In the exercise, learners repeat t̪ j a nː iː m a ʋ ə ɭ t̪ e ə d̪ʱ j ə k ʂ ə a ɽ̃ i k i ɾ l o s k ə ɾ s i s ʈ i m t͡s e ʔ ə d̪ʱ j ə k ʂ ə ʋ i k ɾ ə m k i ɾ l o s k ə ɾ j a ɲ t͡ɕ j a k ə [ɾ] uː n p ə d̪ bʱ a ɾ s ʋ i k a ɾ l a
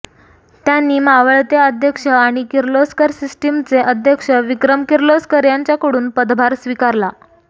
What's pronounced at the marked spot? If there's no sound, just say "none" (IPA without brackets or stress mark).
ɽ